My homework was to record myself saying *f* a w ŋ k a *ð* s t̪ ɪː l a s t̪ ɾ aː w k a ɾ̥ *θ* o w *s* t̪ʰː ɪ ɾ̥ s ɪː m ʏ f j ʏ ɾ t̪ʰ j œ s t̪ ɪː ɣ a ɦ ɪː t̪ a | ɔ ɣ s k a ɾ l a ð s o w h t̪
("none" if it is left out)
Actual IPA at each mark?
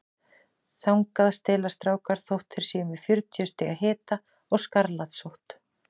θ, ð, θ, h

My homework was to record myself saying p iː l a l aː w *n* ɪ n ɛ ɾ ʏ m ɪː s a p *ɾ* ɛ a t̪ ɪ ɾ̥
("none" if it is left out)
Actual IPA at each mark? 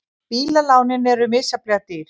n, l

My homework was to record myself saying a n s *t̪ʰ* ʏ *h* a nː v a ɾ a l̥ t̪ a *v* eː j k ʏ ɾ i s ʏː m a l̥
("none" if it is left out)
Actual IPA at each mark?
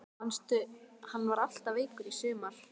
t̪, h, v

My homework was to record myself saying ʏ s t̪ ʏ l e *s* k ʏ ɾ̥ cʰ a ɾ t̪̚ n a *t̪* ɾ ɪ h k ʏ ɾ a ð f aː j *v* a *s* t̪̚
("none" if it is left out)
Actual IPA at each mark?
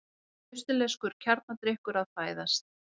s, t̪, ð, s

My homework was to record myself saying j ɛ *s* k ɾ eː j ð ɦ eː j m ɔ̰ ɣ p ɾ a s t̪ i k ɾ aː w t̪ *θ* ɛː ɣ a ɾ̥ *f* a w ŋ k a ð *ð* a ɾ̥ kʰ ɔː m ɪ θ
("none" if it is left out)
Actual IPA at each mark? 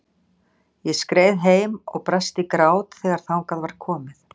s, θ, θ, v

